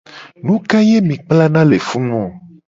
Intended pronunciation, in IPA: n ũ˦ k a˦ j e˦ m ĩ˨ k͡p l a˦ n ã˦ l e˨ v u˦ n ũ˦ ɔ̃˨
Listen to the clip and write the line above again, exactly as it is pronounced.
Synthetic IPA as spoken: n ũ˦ k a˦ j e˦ m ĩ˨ k͡p l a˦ n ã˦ l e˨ f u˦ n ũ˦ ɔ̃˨